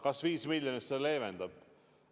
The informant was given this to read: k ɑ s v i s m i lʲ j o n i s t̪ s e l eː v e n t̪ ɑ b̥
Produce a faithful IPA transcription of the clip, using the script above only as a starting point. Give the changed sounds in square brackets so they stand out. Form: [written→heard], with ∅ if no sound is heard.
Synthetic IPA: k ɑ s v [i→iː] s m i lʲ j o n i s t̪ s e l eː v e n [t̪→d̪] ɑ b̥